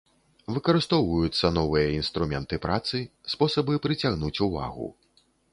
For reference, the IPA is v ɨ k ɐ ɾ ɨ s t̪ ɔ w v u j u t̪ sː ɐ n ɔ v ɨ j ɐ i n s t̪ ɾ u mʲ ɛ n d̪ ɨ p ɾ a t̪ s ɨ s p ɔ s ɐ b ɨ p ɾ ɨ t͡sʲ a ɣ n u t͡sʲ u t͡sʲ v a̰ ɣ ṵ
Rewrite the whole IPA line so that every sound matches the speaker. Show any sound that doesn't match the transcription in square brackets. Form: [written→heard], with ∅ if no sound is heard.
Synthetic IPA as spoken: v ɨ k ɐ ɾ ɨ s t̪ ɔ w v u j u t̪ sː ɐ n ɔ v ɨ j ɐ i n s t̪ ɾ u mʲ ɛ n [d̪→t̪] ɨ p ɾ a t̪ s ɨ s p ɔ s ɐ b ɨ p ɾ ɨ t͡sʲ a ɣ n u t͡sʲ u [t͡sʲ→∅] v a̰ ɣ ṵ